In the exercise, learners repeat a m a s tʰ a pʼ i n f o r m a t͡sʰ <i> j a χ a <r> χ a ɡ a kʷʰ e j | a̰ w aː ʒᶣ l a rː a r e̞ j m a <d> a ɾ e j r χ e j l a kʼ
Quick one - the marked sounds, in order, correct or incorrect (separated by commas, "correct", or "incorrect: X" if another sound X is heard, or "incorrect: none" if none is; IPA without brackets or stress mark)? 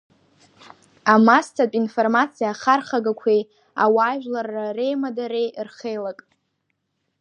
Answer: correct, correct, correct